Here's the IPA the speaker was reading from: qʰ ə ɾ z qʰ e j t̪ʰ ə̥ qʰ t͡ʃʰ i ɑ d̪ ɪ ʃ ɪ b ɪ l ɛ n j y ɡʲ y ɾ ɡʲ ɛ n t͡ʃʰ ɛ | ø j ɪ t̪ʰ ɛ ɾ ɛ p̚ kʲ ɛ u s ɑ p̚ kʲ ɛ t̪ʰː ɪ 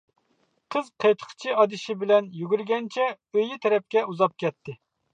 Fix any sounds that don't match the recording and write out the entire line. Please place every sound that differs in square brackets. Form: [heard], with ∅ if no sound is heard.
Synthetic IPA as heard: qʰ ə [∅] z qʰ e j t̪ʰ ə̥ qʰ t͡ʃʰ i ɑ d̪ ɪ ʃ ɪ b ɪ l ɛ n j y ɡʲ y ɾ ɡʲ ɛ n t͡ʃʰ ɛ | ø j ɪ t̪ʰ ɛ ɾ ɛ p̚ kʲ ɛ u [z] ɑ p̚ kʲ ɛ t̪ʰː ɪ